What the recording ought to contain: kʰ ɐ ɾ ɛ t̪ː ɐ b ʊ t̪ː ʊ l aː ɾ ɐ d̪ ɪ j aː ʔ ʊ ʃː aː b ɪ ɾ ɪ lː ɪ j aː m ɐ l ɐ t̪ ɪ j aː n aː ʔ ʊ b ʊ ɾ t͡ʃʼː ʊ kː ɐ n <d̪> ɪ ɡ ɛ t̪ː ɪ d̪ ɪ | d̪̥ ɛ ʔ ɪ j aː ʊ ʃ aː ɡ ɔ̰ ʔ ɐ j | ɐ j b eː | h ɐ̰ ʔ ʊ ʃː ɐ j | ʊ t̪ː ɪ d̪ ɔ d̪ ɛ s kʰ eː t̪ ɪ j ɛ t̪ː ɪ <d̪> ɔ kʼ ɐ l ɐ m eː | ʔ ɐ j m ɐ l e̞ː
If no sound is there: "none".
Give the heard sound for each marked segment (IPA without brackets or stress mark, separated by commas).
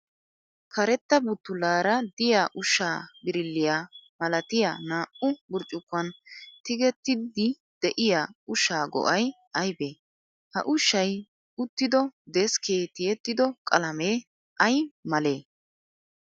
t̪, d̪